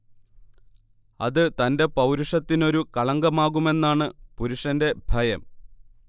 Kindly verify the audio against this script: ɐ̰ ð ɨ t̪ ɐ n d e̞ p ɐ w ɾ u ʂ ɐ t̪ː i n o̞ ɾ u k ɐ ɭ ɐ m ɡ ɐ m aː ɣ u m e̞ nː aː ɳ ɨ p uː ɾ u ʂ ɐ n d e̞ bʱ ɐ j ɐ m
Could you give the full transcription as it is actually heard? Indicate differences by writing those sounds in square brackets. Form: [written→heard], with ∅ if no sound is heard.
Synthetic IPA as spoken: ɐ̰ ð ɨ t̪ ɐ n d e̞ p ɐ w ɾ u ʂ ɐ t̪ː i n o̞ ɾ u k ɐ ɭ ɐ [m→ŋ] ɡ ɐ m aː ɣ u m e̞ nː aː ɳ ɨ p [uː→u] ɾ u ʂ ɐ n d e̞ bʱ ɐ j ɐ m